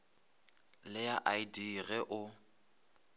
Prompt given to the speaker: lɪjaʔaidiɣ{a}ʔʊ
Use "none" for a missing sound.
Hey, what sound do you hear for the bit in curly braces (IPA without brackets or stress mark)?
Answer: ɛ